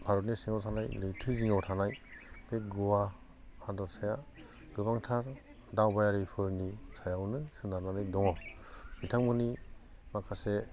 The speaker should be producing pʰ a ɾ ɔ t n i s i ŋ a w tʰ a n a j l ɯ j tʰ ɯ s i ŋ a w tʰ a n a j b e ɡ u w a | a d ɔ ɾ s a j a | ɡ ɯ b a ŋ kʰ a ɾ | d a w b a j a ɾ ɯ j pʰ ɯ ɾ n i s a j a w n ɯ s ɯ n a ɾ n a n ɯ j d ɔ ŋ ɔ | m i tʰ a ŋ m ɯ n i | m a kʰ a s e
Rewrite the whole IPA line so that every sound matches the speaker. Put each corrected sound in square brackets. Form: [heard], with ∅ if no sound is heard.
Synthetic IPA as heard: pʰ a ɾ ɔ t n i s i ŋ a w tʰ a n a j l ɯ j tʰ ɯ [z] i ŋ a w tʰ a n a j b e ɡ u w a | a d ɔ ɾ s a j a | ɡ ɯ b a ŋ [tʰ] a ɾ | d a w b a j a ɾ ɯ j pʰ ɯ ɾ n i s a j a w n ɯ s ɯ n a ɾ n a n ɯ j d ɔ ŋ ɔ | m i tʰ a ŋ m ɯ n i | m a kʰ a s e